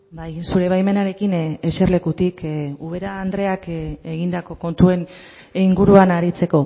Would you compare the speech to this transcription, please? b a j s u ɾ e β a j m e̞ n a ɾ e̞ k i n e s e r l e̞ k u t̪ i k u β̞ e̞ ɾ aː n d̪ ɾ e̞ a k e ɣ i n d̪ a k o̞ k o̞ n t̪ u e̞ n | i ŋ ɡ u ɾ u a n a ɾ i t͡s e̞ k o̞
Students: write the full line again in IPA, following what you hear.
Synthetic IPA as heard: b a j s u ɾ e β a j m e̞ n a ɾ e̞ k i n e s e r l e̞ k u t̪ i k u β̞ e̞ ɾ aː n d̪ ɾ e̞ a k e ɣ i n d̪ a k o̞ k o̞ n t̪ u e̞ n | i ŋ ɡ u ɾ u a n a ɾ i t͡s e̞ k o̞